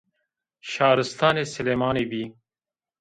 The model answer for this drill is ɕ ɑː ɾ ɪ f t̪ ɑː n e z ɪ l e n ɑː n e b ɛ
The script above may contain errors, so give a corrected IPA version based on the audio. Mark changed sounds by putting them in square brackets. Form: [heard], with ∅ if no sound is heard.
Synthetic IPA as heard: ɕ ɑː ɾ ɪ [s] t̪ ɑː n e [s] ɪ l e [m] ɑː n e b [i]